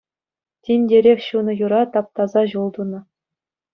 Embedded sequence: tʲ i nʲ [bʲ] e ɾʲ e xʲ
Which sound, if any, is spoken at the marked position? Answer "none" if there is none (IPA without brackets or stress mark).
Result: dʲ